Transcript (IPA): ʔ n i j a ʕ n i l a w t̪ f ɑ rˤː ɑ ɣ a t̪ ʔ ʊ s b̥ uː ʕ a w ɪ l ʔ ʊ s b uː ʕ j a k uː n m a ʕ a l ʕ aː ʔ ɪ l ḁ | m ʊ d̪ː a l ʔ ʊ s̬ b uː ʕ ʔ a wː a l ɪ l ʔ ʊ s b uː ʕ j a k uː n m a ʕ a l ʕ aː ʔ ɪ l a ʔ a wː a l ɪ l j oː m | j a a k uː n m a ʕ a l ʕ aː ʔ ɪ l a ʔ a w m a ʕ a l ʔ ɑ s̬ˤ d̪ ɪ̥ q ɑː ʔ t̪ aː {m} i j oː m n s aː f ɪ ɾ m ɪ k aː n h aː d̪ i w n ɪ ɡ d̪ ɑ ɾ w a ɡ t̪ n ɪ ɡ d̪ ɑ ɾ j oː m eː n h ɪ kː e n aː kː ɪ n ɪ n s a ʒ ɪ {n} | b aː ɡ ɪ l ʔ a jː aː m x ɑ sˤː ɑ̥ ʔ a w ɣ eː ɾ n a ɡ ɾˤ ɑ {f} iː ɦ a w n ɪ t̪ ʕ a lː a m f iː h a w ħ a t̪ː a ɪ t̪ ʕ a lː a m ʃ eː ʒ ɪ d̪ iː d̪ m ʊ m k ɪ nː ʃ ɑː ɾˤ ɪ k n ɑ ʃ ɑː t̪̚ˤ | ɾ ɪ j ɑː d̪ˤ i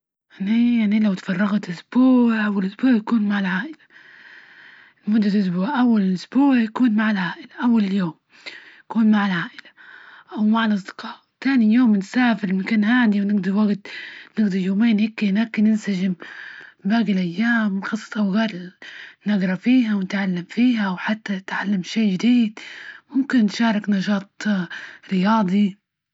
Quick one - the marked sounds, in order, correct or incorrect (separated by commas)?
incorrect, incorrect, correct